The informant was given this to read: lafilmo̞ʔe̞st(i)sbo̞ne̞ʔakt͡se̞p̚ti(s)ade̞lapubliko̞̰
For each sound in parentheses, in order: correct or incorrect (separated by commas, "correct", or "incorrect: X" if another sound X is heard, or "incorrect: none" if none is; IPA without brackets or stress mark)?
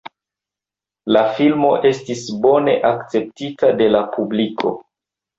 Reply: correct, incorrect: t